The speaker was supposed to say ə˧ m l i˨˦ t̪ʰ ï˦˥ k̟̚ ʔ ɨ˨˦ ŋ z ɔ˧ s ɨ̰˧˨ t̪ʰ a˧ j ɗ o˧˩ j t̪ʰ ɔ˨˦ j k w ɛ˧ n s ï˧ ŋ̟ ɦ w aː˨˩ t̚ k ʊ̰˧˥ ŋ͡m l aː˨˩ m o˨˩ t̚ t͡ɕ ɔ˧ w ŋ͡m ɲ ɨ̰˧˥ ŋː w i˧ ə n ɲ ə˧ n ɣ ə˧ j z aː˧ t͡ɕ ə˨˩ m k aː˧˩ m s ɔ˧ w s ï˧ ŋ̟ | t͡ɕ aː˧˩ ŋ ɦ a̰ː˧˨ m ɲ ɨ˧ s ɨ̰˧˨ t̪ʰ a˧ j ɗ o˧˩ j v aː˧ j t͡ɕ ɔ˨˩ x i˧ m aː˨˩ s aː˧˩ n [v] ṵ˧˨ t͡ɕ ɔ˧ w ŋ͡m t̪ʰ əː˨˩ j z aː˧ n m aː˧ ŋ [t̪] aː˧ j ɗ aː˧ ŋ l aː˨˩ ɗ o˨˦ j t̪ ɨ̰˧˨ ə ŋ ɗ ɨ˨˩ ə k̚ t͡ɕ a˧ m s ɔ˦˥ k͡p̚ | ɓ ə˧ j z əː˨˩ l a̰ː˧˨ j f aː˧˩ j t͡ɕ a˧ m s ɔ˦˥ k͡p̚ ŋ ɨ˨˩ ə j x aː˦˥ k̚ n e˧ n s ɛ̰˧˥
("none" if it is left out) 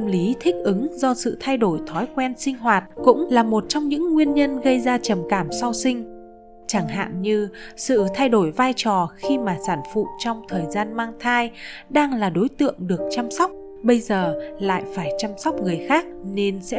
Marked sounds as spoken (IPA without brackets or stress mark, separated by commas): f, t̪ʰ